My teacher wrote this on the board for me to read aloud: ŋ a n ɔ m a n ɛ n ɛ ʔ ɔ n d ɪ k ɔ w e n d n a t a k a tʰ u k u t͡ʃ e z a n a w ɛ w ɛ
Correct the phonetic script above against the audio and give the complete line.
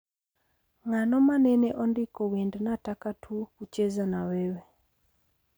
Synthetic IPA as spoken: ŋ a n ɔ m a n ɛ n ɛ ʔ ɔ n d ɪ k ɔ w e n d n a t a k a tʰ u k u t͡ʃ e z a n a w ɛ w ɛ